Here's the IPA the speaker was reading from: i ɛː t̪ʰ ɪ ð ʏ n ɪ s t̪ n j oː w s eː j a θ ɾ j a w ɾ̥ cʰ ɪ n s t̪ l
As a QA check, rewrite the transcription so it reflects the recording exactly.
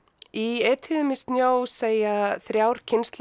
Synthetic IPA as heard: i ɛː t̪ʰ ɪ ð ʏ m ɪ s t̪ n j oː w s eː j a θ ɾ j a w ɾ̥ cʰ ɪ n s t̪ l